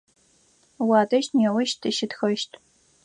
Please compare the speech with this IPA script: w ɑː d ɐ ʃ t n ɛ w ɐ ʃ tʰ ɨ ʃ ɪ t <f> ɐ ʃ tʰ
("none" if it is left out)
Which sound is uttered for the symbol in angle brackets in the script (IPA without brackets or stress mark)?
x